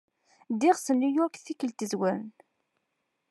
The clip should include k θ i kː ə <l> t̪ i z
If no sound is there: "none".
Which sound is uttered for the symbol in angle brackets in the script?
l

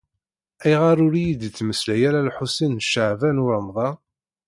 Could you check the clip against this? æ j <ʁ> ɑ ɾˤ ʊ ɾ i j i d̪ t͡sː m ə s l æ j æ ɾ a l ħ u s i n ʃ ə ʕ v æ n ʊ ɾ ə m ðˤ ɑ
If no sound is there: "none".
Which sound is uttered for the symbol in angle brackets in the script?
ʁ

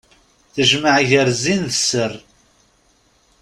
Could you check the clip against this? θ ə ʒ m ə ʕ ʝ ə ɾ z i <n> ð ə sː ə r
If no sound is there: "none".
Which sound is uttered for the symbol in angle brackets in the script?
n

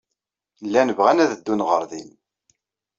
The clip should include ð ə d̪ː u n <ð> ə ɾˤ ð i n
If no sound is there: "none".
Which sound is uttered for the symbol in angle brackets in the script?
ʁ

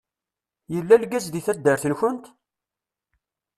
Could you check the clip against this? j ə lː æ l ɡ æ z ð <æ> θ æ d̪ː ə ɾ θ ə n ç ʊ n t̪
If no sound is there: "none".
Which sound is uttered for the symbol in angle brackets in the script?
i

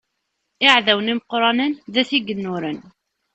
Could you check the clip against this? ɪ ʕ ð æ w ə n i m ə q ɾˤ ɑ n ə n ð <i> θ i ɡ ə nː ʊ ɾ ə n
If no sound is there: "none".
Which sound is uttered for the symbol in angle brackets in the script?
æ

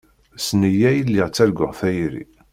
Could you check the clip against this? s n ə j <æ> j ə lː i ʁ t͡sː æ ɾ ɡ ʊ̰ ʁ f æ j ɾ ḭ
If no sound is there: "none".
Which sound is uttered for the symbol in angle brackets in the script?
æ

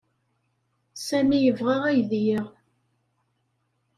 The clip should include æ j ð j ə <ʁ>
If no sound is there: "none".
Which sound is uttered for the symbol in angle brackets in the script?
ʁ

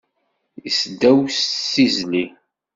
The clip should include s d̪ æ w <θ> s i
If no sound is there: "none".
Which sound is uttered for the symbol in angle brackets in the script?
s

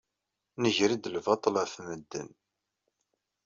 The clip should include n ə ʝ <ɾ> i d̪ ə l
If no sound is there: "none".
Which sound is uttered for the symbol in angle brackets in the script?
ɾ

